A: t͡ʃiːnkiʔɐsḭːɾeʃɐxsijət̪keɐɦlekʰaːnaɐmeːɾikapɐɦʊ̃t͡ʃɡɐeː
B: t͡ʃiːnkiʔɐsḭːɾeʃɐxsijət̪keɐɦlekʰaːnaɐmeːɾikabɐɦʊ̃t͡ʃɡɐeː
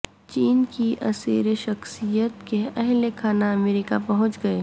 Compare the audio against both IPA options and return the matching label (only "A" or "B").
A